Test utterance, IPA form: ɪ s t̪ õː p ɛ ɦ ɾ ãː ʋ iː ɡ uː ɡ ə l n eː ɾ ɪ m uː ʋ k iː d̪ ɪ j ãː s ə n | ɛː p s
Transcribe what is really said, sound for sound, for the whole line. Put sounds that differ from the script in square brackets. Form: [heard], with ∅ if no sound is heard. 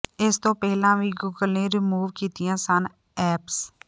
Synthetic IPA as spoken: ɪ s t̪ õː p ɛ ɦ [l] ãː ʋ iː ɡ uː ɡ ə l n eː ɾ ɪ m uː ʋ k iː [t̪] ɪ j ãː s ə n | ɛː p s